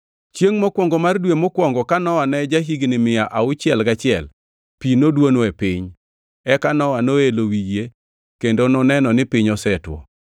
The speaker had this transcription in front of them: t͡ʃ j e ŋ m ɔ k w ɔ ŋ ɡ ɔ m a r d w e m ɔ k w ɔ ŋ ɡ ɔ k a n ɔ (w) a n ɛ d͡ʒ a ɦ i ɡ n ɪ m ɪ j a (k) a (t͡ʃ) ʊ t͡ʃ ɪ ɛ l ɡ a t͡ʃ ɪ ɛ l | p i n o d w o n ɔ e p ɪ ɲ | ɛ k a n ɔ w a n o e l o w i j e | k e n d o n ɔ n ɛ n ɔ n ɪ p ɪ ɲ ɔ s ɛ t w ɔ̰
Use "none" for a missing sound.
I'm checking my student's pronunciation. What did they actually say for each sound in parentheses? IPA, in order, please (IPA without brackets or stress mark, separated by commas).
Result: w, ʔ, none